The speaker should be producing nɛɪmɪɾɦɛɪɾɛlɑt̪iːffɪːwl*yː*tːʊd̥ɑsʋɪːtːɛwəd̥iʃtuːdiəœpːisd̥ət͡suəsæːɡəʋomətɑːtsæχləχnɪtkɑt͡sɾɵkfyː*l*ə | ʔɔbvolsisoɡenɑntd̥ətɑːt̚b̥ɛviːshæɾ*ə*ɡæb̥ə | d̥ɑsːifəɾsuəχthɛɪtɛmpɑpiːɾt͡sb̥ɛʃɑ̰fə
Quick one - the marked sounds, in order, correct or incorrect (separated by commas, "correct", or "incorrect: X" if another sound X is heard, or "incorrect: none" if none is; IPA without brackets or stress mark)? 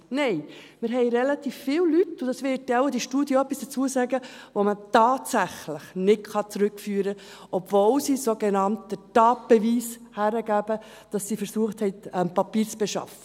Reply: incorrect: y, incorrect: ɾ, correct